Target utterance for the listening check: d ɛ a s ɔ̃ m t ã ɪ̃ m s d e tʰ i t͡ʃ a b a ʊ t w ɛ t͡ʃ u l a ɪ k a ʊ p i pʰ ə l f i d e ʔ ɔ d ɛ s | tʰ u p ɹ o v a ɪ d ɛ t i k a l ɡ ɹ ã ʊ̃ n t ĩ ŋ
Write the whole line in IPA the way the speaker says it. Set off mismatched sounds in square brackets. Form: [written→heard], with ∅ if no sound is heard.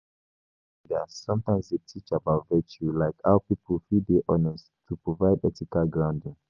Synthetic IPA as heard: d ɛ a s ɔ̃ m t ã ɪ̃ m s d e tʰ i t͡ʃ a b a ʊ t [w→v] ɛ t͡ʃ u l a ɪ k a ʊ p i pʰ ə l f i d e ʔ ɔ [d→n] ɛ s | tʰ u p ɹ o v a ɪ d ɛ t i k a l ɡ ɹ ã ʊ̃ n [t→d] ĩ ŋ